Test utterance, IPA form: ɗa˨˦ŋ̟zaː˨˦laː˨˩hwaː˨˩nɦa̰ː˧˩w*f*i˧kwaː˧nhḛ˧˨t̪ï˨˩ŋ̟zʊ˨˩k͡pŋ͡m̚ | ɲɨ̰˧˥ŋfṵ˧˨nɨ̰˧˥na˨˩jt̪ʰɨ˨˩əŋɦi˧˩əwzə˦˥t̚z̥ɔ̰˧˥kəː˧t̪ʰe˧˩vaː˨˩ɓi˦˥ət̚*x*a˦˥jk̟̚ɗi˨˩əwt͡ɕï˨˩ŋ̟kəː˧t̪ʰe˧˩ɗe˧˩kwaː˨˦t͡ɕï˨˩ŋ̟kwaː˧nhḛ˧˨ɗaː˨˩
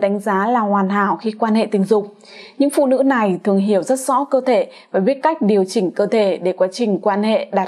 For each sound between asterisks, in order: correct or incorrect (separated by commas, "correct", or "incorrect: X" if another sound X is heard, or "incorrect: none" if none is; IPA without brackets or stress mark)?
incorrect: x, incorrect: k